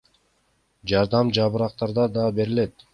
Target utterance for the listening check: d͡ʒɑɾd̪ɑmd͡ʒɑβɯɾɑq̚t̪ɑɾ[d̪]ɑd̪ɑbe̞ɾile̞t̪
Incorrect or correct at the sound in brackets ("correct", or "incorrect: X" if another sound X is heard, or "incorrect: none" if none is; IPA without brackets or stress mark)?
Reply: correct